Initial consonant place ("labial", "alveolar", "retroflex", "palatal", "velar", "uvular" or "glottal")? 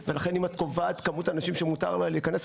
labial